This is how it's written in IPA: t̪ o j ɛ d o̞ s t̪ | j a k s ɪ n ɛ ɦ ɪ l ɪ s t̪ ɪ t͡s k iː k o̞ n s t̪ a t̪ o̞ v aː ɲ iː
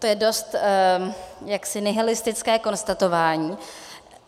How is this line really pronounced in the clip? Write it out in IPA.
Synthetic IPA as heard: t̪ o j ɛ d o̞ s t̪ | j a k s ɪ n ɛ ɦ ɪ l ɪ s t̪ ɪ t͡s k ɛː k o̞ n s t̪ a t̪ o̞ v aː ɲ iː